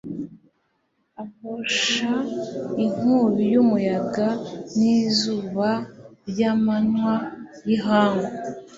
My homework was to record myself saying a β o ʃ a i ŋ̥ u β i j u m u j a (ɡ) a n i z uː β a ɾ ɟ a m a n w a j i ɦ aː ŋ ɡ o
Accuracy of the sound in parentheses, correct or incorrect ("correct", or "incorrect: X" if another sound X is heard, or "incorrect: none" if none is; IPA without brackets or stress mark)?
correct